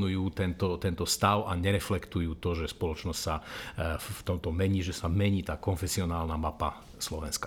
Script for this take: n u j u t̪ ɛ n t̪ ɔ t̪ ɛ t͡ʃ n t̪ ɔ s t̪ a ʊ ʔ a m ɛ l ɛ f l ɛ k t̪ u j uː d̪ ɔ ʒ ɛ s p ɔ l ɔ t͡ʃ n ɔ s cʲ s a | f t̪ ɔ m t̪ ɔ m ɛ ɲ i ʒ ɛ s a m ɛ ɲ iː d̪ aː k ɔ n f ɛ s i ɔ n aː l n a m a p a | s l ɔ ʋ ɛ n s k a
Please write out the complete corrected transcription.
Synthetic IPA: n u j uː t̪ ɛ n t̪ ɔ t̪ ɛ n t̪ ɔ s t̪ a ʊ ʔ a ɲ ɛ ɾ ɛ f l ɛ k t̪ u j uː t̪ ɔ ʒ ɛ s p ɔ l ɔ t͡ʃ n ɔ s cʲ s a | f t̪ ɔ m t̪ ɔ m ɛ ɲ iː ʒ ɛ s a m ɛ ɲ iː t̪ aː k ɔ n f ɛ s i ɔ n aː l n a m a p a | s l ɔ ʋ ɛ n s k a